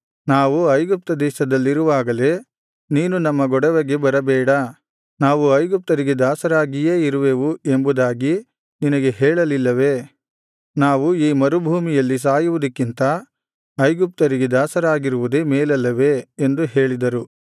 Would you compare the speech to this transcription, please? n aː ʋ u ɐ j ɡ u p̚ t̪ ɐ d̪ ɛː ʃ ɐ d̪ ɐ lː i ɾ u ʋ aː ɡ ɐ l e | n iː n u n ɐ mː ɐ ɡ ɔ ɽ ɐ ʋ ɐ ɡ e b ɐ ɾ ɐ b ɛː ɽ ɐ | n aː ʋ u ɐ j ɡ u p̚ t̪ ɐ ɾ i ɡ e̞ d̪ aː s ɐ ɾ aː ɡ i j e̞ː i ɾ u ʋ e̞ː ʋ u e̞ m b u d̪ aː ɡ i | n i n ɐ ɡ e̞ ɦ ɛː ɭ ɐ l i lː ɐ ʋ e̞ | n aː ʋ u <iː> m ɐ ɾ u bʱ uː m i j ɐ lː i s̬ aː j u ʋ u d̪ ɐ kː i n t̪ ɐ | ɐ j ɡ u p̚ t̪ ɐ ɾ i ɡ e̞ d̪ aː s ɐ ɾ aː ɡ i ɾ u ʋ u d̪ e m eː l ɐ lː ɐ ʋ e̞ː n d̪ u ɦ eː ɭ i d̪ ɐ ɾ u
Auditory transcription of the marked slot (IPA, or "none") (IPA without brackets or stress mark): iː